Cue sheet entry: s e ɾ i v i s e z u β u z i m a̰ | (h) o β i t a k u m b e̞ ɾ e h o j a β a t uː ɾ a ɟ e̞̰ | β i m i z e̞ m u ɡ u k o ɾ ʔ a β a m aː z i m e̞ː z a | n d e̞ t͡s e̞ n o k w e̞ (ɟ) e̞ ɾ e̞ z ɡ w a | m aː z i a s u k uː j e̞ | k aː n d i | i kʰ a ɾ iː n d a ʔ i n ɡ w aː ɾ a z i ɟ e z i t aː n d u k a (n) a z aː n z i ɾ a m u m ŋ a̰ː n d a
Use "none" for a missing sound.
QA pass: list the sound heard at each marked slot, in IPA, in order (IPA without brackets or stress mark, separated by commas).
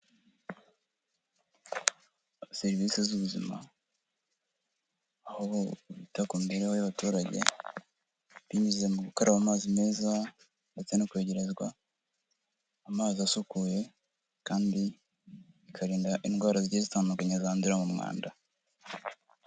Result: h, ɟ, ɲ